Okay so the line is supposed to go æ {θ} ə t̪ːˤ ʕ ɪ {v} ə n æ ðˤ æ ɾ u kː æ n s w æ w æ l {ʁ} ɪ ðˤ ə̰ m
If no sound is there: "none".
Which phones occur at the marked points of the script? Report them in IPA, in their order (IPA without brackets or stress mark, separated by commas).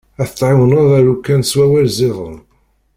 θ, w, z